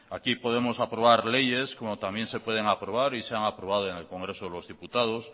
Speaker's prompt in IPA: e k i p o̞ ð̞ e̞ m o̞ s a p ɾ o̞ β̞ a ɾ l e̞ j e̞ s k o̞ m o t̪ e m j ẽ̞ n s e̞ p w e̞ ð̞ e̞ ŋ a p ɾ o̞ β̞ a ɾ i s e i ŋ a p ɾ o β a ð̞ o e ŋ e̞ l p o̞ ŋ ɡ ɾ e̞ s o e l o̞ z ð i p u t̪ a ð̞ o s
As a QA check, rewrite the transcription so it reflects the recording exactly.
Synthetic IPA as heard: a k i p o̞ ð̞ e̞ m o̞ s a p ɾ o̞ β̞ a ɾ l e̞ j e̞ s k o̞ m o t̪ a m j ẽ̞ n s e̞ p w e̞ ð̞ e̞ ŋ a p ɾ o̞ β̞ a ɾ i s e a ŋ a p ɾ o β a ð̞ o e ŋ e̞ l k o̞ ŋ ɡ ɾ e̞ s o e l o̞ z ð i p u t̪ a ð̞ o s